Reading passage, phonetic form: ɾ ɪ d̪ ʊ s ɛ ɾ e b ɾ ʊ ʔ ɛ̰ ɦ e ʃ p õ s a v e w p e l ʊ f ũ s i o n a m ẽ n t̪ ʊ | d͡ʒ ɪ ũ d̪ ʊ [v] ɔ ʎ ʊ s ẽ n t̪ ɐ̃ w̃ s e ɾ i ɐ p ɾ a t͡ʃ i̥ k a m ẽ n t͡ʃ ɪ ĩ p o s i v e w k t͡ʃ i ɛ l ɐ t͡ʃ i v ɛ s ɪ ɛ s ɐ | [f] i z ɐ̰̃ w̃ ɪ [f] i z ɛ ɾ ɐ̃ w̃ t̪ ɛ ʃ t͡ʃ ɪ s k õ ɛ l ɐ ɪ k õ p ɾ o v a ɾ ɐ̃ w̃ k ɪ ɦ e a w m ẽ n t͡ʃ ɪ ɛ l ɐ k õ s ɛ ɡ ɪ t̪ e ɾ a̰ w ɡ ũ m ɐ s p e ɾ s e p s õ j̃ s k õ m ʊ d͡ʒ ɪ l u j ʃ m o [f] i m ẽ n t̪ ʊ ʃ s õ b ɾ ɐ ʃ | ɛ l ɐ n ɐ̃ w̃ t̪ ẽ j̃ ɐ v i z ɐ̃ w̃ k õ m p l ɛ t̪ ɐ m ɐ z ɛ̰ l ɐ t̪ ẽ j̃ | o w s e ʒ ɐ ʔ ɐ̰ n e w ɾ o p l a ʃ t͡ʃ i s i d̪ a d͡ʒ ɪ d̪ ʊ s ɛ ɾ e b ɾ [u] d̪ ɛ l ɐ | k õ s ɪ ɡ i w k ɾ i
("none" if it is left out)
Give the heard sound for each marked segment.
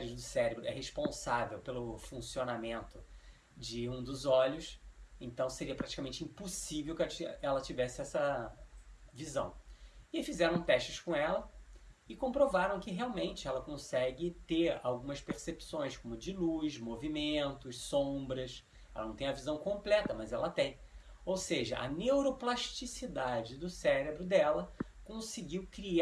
z, v, f, v, ʊ

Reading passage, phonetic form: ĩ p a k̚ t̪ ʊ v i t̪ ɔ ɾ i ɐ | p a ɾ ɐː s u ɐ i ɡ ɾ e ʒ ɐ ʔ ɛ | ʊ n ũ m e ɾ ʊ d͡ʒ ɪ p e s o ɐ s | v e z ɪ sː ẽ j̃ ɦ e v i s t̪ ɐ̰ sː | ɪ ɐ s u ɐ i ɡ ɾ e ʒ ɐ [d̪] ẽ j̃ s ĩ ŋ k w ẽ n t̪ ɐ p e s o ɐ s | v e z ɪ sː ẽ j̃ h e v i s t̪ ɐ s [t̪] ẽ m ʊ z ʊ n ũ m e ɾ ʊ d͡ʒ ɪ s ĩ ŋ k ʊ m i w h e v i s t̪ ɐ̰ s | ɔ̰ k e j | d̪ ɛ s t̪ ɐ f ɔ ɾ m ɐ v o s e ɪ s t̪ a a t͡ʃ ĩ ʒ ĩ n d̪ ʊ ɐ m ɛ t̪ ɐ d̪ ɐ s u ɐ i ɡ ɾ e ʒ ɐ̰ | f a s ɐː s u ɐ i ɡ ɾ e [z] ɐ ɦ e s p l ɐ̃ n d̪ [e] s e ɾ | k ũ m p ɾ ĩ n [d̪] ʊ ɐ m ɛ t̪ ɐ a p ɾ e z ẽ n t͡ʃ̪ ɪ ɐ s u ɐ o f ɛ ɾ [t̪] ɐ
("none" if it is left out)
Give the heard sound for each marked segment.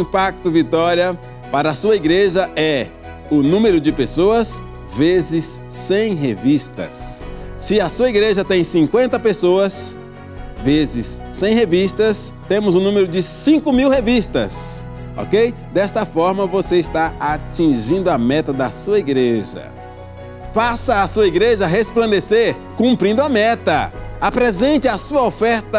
t̪, t̪, ʒ, e, d̪, t̪

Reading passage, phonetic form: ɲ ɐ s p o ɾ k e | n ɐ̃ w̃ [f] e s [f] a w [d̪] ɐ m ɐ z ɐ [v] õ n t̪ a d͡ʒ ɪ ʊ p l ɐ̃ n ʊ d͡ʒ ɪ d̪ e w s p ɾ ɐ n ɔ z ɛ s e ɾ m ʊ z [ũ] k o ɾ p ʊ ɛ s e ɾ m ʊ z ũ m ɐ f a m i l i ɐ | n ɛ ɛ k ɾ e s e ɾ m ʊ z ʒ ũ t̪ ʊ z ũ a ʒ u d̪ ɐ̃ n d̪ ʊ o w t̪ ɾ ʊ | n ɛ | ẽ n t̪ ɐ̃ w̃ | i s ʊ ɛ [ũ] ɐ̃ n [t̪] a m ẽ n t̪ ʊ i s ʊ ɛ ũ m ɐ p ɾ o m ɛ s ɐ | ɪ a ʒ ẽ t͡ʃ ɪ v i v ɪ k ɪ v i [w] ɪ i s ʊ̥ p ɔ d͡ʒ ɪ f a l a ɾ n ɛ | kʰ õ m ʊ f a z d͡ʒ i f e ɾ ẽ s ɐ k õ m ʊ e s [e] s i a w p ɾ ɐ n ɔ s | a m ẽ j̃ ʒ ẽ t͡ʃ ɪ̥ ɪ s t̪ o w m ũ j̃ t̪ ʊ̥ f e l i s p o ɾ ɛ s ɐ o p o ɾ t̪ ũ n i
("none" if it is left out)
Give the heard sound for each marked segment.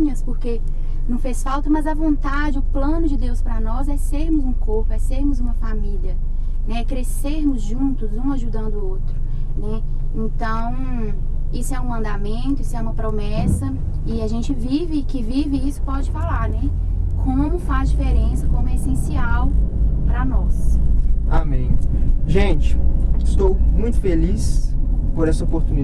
f, f, t̪, v, ũ, ũ, d̪, v, ẽ

